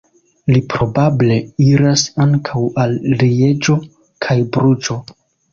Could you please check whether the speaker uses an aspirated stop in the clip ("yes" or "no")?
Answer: yes